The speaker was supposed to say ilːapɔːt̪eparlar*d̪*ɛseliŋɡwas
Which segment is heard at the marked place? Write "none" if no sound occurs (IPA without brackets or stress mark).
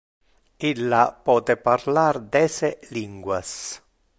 d̪